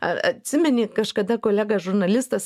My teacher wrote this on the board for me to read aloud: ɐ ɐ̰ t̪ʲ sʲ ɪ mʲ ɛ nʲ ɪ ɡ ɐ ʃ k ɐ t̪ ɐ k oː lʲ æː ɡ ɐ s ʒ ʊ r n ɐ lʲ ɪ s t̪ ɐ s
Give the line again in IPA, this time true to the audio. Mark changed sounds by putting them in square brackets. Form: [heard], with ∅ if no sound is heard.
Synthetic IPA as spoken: ɐ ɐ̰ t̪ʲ sʲ ɪ mʲ ɛ nʲ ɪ [k] ɐ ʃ k ɐ [d̪] ɐ k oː lʲ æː ɡ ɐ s ʒ ʊ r n ɐ lʲ ɪ s t̪ ɐ s